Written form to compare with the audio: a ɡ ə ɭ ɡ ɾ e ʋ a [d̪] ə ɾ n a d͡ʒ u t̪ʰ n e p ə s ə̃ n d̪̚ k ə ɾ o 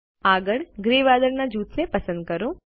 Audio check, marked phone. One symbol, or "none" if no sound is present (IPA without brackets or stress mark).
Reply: d̪